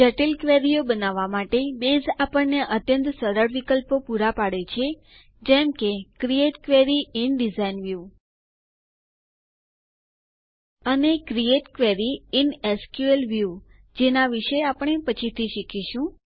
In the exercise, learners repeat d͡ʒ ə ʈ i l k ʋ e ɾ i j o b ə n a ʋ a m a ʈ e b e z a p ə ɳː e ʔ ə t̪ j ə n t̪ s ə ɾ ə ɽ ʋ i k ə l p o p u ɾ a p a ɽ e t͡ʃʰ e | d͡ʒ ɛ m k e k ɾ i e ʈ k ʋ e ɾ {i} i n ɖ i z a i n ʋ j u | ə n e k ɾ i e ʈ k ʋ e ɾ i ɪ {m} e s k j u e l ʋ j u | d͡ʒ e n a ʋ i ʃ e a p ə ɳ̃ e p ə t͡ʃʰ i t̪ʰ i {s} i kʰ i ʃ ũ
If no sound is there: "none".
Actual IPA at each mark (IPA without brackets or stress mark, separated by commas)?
i, n, ʃ